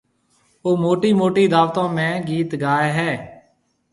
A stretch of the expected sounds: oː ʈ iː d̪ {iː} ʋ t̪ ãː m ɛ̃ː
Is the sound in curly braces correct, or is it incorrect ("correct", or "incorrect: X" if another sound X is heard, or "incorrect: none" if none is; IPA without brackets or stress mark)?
incorrect: aː